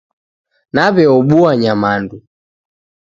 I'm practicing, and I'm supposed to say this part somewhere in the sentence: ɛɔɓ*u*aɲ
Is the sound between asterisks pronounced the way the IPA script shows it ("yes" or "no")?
yes